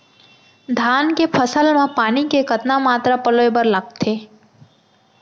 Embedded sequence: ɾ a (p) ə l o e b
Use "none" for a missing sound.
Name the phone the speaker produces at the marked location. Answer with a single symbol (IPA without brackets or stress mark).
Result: p